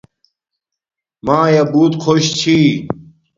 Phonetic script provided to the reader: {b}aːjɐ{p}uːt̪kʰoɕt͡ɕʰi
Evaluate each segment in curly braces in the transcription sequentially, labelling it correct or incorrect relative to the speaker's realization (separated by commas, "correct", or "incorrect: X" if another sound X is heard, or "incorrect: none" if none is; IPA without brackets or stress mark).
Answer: incorrect: m, incorrect: b